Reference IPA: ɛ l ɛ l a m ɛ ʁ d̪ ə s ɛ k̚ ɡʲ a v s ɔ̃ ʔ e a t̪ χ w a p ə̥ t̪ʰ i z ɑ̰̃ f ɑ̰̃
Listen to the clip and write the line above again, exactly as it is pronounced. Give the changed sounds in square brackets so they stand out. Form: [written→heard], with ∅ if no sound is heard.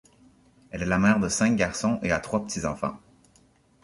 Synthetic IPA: ɛ l ɛ l a m ɛ ʁ d̪ ə s [ɛ→ɛ̃] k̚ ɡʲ a [v→ʁ] s ɔ̃ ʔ e a t̪ χ w a p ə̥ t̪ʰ i z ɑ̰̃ f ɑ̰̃